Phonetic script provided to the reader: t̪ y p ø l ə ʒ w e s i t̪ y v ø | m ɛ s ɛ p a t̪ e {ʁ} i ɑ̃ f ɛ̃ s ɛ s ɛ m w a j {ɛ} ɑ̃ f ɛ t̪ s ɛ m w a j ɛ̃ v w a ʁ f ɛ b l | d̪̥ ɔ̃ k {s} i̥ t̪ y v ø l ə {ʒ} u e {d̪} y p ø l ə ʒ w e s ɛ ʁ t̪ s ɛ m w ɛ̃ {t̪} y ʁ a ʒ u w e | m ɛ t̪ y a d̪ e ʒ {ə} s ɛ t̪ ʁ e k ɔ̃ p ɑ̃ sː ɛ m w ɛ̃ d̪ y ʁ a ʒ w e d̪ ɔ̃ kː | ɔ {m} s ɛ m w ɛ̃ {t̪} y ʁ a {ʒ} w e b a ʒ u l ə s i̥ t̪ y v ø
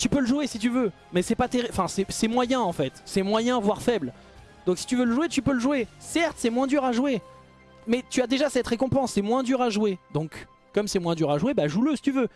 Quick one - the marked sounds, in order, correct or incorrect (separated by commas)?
correct, incorrect, correct, correct, incorrect, incorrect, incorrect, correct, incorrect, correct